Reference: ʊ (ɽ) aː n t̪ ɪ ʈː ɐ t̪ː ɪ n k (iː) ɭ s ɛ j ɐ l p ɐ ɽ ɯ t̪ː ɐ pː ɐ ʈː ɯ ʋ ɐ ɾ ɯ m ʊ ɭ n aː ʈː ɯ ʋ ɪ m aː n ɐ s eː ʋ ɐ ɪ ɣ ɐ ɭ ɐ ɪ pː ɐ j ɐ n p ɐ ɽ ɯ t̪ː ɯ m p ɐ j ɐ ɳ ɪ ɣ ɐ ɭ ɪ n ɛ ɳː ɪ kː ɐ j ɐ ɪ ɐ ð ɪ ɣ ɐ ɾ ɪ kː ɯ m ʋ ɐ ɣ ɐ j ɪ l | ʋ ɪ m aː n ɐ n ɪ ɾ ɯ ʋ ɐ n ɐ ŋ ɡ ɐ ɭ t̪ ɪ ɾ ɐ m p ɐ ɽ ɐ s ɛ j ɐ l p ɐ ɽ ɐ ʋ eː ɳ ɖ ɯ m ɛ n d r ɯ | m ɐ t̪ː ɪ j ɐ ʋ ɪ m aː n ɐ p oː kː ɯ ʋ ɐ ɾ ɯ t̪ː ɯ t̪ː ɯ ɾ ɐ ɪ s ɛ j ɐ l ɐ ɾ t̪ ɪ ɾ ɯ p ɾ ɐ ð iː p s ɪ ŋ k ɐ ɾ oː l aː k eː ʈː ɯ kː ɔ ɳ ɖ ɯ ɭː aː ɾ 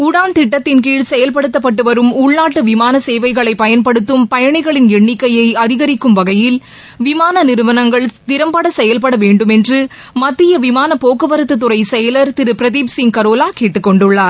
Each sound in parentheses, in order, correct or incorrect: correct, correct

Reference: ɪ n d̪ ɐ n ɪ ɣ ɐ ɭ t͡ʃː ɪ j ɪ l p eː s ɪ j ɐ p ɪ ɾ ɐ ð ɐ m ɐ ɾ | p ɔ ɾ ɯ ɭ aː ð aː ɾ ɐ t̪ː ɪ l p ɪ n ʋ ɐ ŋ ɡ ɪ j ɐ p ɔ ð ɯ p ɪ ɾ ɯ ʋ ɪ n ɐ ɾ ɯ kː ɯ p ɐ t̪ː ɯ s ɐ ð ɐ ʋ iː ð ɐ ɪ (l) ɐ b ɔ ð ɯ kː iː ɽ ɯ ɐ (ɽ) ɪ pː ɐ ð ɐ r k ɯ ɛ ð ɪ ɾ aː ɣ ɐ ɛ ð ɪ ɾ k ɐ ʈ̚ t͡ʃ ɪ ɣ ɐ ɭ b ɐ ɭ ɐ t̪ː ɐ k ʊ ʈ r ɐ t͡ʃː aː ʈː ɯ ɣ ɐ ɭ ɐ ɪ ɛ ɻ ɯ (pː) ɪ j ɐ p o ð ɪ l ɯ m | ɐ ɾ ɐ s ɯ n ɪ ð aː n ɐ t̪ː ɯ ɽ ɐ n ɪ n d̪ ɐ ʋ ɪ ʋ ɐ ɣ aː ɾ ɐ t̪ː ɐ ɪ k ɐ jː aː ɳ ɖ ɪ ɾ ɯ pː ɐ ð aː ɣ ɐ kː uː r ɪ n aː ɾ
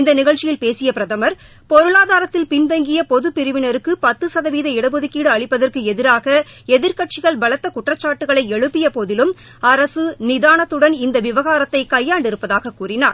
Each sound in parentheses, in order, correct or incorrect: incorrect: ɽ, incorrect: ɭ, correct

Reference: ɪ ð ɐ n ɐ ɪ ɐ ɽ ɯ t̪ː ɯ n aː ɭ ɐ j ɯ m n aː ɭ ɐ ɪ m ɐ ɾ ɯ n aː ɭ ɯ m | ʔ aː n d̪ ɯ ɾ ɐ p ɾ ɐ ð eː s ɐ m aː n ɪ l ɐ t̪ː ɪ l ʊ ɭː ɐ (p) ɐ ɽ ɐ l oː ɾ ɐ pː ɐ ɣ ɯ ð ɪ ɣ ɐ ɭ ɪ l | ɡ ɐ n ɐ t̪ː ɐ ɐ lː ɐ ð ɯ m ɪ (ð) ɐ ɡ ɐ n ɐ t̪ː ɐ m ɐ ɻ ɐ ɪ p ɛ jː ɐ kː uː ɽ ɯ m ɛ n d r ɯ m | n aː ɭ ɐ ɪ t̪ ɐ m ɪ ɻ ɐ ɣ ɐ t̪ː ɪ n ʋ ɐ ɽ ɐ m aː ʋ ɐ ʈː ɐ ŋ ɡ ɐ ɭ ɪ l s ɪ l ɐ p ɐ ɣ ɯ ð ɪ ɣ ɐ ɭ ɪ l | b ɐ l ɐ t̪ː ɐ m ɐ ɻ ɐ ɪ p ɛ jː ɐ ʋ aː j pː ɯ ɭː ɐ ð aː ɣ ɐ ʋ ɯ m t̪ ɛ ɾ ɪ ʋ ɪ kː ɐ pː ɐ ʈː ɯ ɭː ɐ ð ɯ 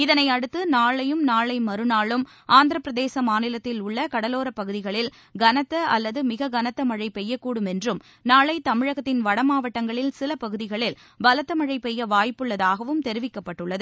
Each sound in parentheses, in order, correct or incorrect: incorrect: k, incorrect: ɣ

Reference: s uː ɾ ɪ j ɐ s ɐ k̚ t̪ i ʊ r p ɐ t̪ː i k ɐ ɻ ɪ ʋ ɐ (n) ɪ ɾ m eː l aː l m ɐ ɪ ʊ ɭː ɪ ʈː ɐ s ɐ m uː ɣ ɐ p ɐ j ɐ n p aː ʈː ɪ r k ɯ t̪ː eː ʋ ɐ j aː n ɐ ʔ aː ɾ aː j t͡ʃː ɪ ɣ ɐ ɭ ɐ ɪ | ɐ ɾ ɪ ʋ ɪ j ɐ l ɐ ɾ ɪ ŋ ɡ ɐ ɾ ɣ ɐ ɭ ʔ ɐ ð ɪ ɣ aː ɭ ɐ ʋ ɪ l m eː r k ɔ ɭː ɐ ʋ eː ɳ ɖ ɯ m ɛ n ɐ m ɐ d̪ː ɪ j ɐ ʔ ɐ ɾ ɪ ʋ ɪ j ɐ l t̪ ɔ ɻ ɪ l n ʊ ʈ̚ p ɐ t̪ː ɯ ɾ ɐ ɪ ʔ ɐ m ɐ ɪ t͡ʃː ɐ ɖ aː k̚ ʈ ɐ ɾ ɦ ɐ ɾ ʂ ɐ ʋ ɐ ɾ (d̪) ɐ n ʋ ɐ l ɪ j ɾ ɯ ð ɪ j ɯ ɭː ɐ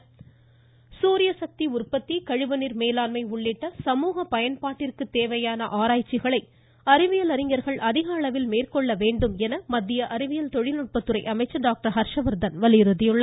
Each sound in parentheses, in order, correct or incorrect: correct, correct

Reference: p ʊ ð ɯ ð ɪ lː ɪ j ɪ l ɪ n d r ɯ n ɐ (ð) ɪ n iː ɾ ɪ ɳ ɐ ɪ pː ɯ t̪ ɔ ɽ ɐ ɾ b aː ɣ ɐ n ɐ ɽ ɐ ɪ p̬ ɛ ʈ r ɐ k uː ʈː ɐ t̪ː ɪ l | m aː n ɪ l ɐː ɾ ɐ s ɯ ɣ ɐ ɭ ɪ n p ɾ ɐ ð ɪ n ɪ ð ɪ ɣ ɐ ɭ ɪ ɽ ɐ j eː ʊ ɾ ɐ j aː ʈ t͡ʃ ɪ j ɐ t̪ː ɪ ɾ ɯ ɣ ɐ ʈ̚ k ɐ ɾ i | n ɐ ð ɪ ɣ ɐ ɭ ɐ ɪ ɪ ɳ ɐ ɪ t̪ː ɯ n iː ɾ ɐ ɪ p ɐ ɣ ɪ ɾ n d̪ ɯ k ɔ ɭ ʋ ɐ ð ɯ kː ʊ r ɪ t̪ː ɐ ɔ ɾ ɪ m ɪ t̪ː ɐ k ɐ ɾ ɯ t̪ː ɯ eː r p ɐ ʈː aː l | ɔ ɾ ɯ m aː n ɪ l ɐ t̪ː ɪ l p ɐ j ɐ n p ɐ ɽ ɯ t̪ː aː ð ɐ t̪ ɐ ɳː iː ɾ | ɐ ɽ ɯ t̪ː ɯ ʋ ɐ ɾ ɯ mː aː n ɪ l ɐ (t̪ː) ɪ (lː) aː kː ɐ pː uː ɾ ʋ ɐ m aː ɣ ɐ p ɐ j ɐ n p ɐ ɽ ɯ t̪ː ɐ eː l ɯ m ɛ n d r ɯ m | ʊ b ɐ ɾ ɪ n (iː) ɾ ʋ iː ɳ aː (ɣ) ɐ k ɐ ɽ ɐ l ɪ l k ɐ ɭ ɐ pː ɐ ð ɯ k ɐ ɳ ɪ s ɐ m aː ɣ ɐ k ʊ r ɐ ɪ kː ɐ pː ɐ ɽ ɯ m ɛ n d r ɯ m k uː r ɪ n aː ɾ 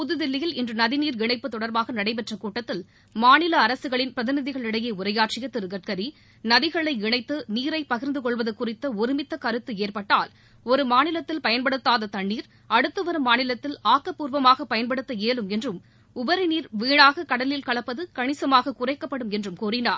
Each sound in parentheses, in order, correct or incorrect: correct, correct, incorrect: l, correct, correct

